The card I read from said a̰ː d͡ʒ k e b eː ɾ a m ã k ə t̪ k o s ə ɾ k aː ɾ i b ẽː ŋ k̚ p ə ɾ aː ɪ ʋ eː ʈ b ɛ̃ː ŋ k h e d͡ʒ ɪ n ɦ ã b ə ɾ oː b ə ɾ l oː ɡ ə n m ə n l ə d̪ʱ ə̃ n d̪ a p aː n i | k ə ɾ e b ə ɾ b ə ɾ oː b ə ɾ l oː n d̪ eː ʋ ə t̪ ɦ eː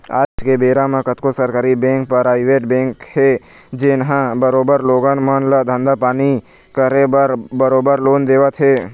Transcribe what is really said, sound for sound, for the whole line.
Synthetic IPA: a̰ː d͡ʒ k e b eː ɾ a m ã k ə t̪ k o s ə ɾ k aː ɾ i b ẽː ŋ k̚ p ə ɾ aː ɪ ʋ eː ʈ b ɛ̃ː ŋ k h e d͡ʒ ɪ n ɦ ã b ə ɾ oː b ə ɾ l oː ɡ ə n m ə n l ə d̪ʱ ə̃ n d̪ a p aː n i | k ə ɾ e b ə ɾ b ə ɾ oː b ə ɾ l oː n d̪ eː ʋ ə t̪ ɦ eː